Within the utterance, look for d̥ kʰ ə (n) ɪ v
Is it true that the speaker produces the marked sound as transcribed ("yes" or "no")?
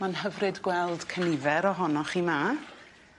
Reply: yes